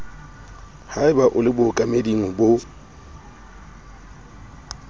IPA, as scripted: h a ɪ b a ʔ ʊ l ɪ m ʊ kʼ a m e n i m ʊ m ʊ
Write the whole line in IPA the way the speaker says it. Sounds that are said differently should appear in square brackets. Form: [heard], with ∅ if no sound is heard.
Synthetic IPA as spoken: h a ɪ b a ʔ ʊ l ɪ [b] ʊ kʼ a m e [d] i [ŋ] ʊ [b] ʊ